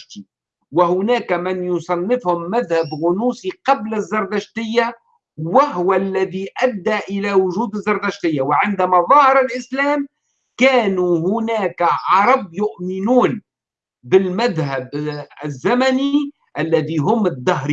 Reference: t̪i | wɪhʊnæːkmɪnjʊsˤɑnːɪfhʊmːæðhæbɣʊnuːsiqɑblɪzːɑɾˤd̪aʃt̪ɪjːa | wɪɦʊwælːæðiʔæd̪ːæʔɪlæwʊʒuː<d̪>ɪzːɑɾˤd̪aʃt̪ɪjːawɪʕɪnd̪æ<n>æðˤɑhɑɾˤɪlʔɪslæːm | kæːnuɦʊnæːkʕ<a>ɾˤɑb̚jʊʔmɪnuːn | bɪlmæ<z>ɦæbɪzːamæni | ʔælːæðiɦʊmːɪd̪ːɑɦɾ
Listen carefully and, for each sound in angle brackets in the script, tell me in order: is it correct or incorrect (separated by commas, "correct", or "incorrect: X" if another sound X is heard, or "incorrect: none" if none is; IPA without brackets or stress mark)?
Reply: correct, incorrect: m, incorrect: ɑ, incorrect: ð